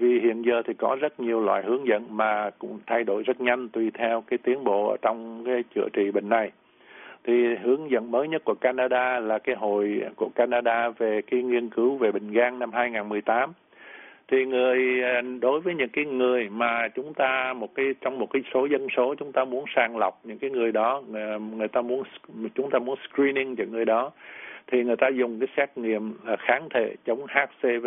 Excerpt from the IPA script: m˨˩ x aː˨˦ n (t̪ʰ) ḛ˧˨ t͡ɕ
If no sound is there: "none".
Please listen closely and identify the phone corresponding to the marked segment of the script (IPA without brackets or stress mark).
t̪ʰ